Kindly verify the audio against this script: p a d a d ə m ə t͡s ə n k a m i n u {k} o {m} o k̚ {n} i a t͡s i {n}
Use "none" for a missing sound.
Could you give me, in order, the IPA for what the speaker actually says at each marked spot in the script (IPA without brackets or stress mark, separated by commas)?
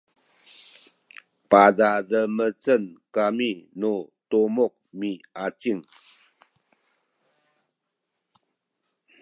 t, m, m, ŋ